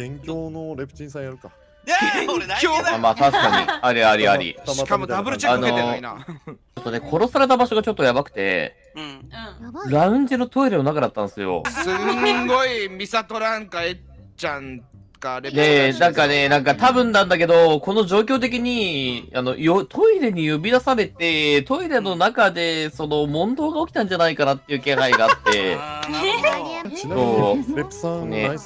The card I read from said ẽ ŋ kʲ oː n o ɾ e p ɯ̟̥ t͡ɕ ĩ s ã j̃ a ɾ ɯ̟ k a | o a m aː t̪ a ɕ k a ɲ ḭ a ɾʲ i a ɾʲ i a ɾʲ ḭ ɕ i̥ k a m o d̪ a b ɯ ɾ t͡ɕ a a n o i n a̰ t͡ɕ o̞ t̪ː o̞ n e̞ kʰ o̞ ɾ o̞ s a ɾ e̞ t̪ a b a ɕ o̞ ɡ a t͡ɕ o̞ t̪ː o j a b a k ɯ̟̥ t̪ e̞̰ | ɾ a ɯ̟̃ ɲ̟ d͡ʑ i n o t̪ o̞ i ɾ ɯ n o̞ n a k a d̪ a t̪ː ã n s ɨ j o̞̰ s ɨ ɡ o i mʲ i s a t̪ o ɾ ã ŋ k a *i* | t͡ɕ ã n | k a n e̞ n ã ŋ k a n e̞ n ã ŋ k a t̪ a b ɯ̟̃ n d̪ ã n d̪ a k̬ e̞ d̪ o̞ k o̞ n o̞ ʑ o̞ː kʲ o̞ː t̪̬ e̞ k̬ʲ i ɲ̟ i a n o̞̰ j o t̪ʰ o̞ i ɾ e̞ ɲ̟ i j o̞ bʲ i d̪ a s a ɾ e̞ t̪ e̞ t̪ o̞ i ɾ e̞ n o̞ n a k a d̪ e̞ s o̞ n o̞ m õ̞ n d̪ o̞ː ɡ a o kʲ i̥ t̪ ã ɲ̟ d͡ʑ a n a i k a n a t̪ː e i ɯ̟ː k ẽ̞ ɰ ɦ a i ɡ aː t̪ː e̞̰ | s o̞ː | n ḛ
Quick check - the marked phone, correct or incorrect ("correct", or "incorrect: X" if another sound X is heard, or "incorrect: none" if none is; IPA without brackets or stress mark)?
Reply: incorrect: e